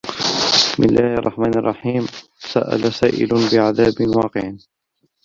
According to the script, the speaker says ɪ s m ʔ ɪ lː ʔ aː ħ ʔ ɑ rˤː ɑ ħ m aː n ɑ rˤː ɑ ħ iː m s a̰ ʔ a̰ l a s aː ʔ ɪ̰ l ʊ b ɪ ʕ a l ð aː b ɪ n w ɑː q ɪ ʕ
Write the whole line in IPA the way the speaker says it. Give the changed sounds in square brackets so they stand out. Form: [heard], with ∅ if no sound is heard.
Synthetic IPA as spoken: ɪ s m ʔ ɪ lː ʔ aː [h] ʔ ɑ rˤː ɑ ħ m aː n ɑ rˤː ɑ ħ iː m s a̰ ʔ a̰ l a s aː ʔ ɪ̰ l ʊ b ɪ ʕ a [∅] ð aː b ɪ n w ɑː q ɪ ʕ